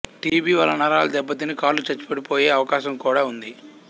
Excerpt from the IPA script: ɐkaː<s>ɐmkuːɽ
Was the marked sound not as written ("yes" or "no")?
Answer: yes